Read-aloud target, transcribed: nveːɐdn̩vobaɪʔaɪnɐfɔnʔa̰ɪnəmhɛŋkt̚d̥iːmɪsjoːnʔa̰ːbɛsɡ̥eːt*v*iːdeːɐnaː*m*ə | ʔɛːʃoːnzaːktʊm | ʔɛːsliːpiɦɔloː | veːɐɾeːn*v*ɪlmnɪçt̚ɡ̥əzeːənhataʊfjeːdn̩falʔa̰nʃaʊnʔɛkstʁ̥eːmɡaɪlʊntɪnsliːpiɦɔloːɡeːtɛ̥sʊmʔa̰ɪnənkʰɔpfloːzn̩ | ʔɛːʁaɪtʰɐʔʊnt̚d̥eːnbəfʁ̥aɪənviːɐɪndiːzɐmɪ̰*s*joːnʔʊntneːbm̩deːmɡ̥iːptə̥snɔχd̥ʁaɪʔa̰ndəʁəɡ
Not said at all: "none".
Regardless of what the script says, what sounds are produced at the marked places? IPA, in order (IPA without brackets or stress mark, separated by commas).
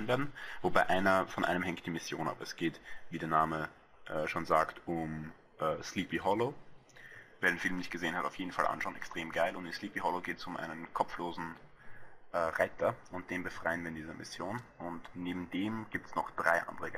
v, m, f, s